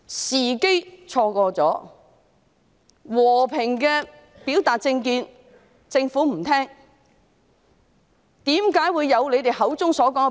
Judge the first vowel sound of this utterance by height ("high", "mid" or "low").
high